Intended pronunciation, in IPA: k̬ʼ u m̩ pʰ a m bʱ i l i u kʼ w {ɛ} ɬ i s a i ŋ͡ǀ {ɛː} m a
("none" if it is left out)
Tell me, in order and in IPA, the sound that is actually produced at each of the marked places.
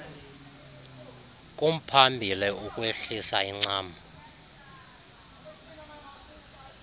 e, aː

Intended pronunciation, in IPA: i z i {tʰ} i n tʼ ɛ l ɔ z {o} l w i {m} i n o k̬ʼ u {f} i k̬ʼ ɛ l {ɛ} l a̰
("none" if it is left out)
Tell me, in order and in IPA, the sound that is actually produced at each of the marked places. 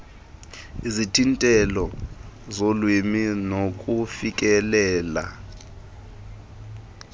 tʰ, o, m, f, ɛː

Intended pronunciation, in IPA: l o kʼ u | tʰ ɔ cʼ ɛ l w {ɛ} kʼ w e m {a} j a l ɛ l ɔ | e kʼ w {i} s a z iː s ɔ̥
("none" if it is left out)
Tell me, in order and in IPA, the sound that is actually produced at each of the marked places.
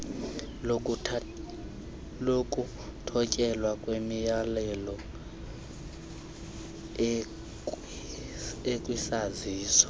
a, i, i

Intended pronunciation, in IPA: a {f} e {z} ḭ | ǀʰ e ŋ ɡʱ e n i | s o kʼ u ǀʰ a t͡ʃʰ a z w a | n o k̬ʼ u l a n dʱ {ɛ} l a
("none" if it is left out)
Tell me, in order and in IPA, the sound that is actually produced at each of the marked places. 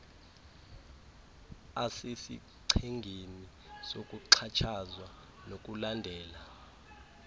s, s, ɛː

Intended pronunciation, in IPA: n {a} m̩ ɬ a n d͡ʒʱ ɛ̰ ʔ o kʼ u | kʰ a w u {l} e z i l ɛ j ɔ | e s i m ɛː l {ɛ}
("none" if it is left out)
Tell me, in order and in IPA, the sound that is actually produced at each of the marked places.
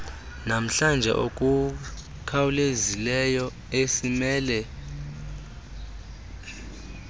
a, l, ɛ

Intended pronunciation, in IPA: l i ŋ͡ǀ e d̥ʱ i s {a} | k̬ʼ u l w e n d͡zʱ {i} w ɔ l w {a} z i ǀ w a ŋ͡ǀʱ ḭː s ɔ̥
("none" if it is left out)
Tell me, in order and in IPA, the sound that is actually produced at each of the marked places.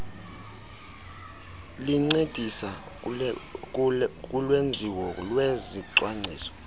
a, i, e

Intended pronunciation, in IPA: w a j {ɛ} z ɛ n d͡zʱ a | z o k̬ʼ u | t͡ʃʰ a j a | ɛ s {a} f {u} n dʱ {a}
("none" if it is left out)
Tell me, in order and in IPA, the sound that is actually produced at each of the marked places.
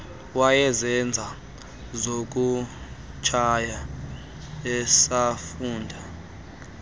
ɛ, a, uː, a

